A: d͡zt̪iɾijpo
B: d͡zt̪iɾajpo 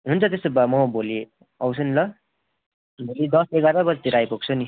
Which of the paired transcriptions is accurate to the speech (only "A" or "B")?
B